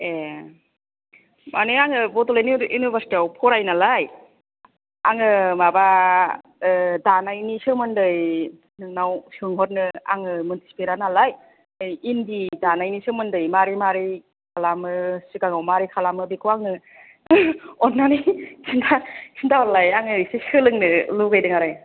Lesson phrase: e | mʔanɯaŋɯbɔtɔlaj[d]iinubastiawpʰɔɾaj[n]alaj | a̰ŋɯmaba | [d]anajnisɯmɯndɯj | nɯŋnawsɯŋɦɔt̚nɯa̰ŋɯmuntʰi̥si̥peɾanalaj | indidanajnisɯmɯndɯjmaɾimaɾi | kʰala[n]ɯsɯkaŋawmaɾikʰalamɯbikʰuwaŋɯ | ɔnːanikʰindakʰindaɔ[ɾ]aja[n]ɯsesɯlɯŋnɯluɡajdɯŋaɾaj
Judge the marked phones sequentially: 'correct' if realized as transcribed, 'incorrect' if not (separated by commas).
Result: incorrect, correct, correct, incorrect, incorrect, incorrect